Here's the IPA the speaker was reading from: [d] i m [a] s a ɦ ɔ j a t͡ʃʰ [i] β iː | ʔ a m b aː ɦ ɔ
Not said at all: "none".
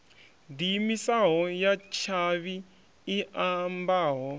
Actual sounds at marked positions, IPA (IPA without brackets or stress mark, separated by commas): d, i, a